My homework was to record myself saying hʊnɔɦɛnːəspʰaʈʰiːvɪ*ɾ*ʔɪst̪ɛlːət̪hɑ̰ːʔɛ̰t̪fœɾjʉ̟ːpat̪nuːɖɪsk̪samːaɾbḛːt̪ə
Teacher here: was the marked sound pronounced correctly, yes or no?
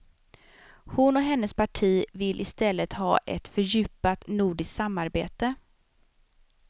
no